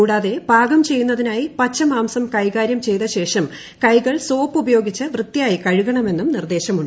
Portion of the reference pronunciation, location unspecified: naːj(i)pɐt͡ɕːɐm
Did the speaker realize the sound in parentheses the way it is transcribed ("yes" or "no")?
yes